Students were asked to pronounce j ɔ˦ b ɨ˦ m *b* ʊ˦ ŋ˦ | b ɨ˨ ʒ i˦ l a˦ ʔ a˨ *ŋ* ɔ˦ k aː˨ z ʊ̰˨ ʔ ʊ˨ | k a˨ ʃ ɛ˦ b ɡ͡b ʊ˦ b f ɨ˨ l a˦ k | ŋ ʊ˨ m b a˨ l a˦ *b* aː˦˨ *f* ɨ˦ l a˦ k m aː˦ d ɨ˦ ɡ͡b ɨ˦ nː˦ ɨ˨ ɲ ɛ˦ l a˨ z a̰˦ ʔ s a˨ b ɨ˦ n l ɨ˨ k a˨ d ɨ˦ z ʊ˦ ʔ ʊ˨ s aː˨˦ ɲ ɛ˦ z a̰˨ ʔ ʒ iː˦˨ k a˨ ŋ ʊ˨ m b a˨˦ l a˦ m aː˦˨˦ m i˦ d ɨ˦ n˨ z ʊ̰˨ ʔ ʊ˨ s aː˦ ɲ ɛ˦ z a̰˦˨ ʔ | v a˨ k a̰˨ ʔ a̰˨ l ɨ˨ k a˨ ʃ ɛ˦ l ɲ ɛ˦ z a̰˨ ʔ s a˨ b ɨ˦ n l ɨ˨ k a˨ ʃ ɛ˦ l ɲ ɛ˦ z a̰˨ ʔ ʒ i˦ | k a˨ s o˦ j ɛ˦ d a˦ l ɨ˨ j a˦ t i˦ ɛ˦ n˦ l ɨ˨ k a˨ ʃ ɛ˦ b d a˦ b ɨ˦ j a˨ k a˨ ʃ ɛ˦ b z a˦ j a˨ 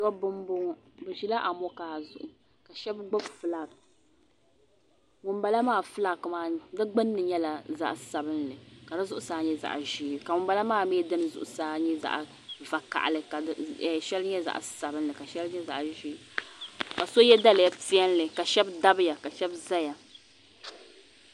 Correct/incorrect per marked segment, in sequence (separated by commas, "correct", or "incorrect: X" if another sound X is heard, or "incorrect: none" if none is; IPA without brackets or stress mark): correct, incorrect: m, incorrect: m, correct